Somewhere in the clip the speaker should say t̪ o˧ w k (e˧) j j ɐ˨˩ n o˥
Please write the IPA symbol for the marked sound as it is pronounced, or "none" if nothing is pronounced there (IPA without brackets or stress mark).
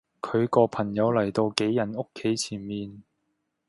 e˨˥